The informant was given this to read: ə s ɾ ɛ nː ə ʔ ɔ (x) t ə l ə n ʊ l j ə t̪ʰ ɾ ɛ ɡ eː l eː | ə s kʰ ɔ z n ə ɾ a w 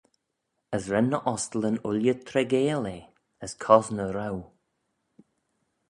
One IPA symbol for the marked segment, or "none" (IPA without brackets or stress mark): s